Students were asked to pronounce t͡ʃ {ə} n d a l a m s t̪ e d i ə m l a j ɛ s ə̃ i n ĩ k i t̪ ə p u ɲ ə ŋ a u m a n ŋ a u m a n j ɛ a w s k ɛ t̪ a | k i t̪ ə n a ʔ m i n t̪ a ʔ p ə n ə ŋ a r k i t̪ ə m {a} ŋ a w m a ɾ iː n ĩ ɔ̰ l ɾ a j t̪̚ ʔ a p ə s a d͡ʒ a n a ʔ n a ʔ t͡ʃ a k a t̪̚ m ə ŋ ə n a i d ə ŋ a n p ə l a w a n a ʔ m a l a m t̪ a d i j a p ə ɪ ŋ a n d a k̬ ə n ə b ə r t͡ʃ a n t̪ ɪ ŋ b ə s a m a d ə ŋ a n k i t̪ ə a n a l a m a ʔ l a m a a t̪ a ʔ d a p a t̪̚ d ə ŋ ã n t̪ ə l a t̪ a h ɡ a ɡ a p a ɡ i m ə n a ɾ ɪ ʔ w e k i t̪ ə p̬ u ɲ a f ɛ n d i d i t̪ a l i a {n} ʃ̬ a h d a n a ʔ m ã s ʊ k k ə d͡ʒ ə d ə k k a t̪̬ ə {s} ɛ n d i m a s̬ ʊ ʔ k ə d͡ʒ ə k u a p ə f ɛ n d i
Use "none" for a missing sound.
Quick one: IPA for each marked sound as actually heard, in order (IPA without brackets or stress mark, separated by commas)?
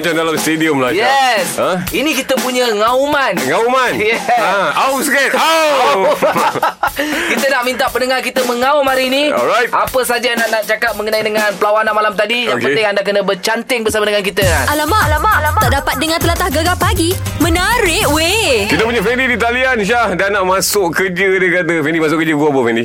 a, ə, n, f